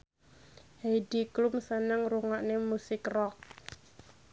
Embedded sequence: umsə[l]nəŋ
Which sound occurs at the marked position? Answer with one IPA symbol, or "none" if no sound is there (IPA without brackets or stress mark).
none